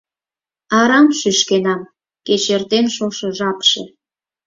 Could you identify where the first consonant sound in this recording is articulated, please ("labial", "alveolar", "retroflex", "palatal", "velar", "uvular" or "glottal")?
alveolar